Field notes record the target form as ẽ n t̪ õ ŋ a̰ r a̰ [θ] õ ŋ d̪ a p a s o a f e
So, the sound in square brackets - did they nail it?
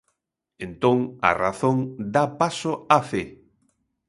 yes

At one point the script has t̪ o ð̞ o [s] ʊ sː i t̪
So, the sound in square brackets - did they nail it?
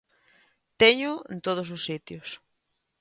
yes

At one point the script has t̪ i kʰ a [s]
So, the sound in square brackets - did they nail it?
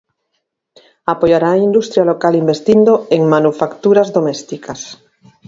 yes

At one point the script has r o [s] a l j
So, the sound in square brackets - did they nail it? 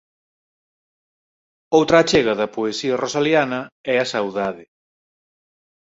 yes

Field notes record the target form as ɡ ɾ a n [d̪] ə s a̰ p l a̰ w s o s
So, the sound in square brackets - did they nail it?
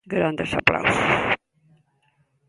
yes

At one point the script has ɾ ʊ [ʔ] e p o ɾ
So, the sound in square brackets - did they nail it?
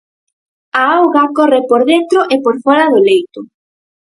yes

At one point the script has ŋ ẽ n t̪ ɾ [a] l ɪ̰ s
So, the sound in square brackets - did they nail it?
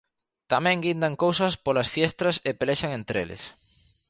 no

